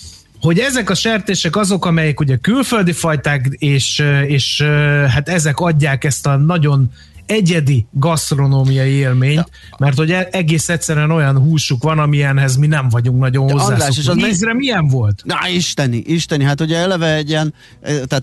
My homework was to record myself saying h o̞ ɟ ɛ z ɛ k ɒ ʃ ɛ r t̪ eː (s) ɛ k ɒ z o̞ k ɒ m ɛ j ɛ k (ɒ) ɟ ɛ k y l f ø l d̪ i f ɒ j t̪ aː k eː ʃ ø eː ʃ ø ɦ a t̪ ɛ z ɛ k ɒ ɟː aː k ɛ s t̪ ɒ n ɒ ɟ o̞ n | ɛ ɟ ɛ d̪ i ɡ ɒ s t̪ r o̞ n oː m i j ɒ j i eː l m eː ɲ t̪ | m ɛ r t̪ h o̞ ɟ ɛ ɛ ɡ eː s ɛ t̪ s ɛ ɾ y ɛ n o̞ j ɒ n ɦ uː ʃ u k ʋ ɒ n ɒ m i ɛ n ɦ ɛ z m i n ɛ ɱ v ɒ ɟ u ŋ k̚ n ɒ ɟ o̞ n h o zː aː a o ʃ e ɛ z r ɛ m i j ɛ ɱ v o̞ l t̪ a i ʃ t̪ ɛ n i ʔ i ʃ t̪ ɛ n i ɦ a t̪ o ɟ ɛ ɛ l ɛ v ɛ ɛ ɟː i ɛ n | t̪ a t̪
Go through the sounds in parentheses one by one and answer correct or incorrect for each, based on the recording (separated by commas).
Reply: incorrect, incorrect